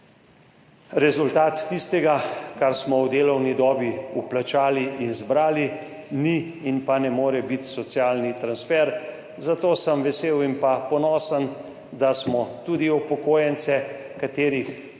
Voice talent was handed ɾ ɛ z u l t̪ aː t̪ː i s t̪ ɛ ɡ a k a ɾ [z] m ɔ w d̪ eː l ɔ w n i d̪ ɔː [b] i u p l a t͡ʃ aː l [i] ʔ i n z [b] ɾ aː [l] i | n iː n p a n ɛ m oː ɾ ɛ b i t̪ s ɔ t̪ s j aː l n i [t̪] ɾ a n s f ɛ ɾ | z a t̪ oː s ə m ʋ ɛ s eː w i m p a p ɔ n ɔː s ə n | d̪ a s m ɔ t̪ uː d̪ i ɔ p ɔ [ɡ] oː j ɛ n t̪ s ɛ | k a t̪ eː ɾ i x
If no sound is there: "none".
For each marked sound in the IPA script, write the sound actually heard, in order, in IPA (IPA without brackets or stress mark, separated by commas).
s, b, i, b, l, t̪, k